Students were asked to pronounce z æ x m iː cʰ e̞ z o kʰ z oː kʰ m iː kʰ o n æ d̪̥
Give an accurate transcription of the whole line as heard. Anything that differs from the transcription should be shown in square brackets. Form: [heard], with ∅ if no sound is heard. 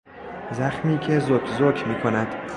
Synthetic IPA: z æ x m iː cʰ e̞ z o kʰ z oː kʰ m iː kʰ o n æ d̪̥